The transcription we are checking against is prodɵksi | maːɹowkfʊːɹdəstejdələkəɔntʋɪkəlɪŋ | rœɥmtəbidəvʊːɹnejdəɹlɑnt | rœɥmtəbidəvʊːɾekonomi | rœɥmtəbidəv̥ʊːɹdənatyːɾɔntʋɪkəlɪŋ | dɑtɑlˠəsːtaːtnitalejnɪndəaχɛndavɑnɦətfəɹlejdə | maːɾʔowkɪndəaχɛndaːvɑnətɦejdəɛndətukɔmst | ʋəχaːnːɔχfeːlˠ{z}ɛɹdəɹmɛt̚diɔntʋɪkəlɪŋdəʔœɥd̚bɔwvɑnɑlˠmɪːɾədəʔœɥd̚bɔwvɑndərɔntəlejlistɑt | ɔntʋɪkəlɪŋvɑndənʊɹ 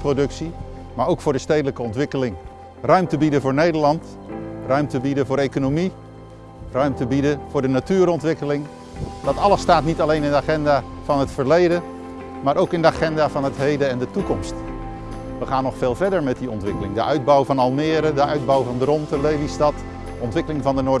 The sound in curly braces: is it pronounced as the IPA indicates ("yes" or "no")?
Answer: no